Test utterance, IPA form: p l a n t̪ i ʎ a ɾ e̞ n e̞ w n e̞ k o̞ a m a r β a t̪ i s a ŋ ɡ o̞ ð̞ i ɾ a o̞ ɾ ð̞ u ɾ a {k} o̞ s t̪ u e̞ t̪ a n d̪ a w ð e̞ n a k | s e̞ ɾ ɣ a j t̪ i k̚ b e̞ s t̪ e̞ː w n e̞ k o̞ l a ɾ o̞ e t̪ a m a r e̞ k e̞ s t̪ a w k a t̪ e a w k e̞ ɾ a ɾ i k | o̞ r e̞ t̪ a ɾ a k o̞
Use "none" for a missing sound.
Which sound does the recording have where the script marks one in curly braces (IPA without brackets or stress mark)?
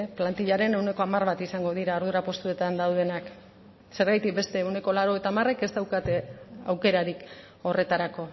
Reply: p